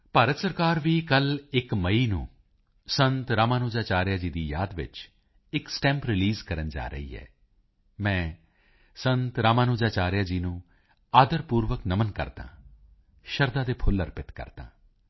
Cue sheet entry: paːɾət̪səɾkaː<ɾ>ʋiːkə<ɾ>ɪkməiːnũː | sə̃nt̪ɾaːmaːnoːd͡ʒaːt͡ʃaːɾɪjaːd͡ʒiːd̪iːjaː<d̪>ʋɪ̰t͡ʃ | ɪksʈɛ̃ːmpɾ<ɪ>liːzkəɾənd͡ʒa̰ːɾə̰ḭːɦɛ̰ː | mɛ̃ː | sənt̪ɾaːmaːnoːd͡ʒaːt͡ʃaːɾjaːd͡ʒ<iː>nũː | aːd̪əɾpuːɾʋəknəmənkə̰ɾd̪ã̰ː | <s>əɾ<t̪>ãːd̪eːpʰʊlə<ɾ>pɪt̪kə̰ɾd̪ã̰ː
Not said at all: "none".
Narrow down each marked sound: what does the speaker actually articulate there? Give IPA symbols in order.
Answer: ɾ, l, d̪, ɪ, iː, ʃ, d̪, ɾ

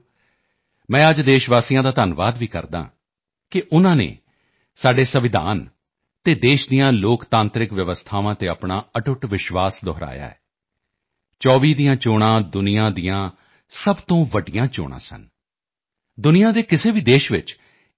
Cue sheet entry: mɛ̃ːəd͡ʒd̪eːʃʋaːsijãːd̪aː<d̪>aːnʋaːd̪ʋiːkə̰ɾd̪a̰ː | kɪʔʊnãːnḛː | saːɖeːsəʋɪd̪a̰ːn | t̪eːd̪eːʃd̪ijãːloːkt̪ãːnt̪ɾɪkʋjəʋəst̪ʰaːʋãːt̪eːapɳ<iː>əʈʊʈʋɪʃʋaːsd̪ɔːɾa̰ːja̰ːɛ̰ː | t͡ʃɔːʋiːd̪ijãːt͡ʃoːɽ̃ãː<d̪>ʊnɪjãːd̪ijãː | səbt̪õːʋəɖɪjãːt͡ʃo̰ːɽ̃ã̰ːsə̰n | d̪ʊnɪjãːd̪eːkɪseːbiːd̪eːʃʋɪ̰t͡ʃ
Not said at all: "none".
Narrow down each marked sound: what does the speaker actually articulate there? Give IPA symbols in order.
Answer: t̪, aː, d̪

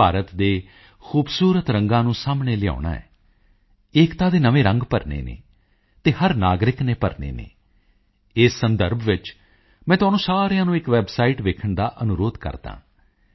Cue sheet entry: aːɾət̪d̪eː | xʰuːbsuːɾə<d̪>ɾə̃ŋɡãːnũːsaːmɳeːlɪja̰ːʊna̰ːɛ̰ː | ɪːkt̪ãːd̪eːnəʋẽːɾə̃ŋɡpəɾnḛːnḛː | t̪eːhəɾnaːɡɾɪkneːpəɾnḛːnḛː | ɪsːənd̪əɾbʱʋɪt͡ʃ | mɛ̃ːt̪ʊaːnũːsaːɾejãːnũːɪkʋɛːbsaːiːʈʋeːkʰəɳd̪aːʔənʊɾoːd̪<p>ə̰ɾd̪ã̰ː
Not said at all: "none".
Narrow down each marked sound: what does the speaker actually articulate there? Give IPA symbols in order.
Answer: t̪, k

